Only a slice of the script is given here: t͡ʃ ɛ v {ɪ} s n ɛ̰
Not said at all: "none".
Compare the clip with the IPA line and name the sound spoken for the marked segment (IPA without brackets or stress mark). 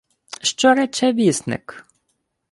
i